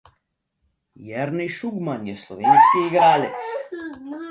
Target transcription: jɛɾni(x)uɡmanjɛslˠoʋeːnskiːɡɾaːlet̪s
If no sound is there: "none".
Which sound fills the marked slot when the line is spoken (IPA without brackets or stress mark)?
ʃ